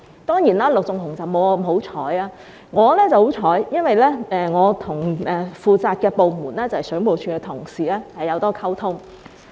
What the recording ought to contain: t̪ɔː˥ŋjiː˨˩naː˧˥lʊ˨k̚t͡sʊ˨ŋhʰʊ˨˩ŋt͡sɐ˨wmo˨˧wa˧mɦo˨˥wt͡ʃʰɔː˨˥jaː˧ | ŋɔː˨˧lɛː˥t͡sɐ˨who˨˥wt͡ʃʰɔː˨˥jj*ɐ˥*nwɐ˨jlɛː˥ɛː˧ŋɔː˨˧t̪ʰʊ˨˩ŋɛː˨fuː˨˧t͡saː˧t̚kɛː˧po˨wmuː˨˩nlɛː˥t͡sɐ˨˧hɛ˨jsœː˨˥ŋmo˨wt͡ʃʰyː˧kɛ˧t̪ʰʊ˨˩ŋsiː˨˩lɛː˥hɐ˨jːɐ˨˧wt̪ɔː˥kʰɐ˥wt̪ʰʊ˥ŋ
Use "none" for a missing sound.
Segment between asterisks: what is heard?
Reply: ɐ˥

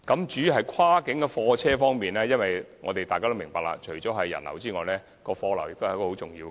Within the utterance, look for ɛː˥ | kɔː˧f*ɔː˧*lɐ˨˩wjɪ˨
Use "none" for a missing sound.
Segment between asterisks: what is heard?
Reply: ɔː˧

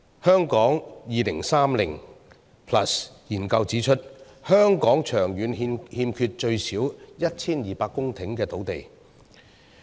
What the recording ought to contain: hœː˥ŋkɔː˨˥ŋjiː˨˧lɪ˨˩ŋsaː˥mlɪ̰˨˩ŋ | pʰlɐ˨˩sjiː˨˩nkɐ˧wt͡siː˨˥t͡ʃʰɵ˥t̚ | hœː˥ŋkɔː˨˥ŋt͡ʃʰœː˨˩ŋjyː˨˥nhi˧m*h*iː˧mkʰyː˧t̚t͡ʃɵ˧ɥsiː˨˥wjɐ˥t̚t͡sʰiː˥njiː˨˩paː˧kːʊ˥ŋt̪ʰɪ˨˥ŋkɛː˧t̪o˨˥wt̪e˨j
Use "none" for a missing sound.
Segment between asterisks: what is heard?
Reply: h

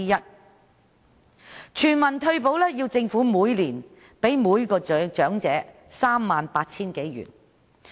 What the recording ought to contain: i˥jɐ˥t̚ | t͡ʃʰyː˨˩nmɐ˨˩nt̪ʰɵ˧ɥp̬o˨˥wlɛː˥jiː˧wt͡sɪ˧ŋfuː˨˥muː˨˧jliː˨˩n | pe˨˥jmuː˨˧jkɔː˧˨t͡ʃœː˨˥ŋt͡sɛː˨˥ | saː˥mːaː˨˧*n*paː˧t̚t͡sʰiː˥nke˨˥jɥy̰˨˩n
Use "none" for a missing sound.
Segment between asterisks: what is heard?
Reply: n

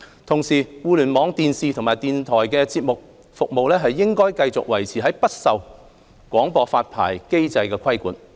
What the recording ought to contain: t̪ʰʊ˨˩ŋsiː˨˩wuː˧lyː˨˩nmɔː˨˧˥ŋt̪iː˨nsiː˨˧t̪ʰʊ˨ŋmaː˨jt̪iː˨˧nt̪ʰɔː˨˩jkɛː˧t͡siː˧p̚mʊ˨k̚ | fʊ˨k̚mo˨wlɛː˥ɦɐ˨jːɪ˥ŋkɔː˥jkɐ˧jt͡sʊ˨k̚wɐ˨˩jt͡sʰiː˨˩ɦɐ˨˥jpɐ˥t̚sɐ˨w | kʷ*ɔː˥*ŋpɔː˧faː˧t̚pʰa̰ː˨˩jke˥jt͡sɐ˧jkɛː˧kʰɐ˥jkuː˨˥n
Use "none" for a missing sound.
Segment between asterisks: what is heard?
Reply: ɔː˨˥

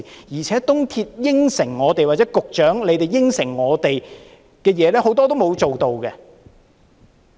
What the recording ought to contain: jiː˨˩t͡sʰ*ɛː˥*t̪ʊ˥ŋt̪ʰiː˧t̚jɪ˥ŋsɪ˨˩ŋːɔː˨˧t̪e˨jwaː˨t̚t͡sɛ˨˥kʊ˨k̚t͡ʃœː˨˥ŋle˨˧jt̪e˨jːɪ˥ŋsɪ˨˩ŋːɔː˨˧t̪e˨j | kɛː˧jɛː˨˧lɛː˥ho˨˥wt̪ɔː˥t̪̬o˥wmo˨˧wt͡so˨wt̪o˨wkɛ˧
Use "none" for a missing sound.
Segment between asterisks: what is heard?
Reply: ɛː˨˥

